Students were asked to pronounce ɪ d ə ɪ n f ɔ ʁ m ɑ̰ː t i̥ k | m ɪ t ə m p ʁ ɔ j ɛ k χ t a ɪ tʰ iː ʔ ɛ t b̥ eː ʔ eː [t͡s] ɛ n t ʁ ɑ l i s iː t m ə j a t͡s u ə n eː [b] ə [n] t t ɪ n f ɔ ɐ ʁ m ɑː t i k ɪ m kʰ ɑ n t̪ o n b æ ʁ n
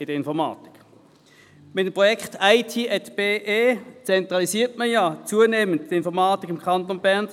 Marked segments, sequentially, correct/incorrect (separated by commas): correct, incorrect, correct